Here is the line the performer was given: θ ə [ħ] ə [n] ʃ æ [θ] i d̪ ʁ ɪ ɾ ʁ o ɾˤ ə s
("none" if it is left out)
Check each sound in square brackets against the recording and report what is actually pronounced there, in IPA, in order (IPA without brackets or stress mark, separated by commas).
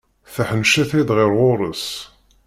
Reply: ħ, n, θ